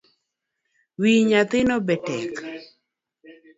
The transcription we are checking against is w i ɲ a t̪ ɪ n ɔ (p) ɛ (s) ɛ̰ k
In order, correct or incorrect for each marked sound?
incorrect: b, incorrect: t

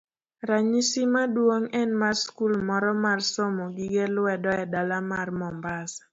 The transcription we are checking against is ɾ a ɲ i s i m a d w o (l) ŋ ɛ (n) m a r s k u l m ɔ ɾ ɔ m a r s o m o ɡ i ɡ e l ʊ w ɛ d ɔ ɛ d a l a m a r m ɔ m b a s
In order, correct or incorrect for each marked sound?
incorrect: none, correct

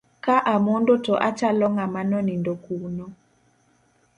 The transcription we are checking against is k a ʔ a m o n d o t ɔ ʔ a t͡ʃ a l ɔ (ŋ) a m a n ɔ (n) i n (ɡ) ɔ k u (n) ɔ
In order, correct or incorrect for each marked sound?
correct, correct, incorrect: d, correct

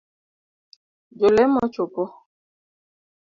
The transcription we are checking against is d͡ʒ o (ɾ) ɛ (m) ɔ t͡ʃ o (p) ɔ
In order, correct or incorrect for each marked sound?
incorrect: l, correct, correct

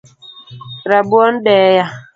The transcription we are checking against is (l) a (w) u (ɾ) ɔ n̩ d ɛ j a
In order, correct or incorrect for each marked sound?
incorrect: ɾ, incorrect: b, incorrect: none

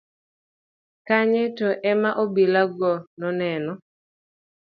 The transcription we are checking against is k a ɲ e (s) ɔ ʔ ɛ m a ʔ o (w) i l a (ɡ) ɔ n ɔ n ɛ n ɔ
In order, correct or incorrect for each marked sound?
incorrect: t, incorrect: b, correct

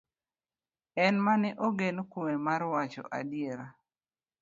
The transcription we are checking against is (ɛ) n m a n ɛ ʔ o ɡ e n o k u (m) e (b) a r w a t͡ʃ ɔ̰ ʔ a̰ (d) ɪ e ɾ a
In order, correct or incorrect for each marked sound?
correct, correct, incorrect: m, correct

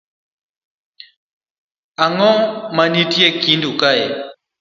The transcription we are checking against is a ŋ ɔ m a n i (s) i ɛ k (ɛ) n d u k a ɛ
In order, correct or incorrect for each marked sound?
incorrect: t, incorrect: i

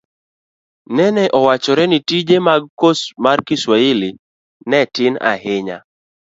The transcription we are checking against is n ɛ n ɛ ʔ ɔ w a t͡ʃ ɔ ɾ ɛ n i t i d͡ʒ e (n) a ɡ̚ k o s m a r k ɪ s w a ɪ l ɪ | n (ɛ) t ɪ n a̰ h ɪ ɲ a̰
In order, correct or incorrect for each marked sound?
incorrect: m, correct

